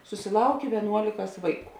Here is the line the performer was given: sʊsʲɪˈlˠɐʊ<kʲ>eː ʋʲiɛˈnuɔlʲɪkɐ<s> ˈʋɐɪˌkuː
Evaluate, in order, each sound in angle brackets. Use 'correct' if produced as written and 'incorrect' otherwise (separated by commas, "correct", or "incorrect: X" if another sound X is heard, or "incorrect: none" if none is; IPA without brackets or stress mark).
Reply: correct, correct